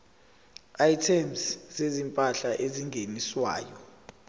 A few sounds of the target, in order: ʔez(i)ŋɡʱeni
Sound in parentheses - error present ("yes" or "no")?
no